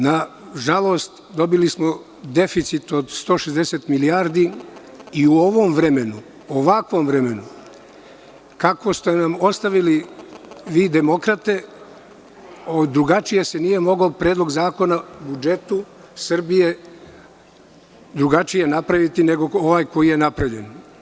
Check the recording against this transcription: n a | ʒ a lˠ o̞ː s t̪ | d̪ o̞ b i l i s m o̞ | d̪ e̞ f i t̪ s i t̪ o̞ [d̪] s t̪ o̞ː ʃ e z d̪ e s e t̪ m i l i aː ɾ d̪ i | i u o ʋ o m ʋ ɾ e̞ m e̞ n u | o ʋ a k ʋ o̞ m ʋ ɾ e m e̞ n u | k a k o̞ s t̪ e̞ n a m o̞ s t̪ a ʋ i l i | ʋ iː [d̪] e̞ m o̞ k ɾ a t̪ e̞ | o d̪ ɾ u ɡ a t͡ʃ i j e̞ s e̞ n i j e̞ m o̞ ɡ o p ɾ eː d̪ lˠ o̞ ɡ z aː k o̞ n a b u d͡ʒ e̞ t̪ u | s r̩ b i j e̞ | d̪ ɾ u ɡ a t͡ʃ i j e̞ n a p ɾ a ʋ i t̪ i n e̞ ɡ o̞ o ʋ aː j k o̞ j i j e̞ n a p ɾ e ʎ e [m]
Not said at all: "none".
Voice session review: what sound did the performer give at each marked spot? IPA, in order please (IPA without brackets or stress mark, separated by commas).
d̪, d̪, n